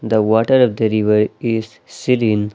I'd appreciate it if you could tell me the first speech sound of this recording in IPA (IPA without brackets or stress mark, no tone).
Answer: d̪